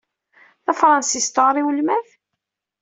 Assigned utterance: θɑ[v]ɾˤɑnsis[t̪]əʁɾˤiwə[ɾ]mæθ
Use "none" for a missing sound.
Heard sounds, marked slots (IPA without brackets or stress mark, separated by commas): f, t̪, l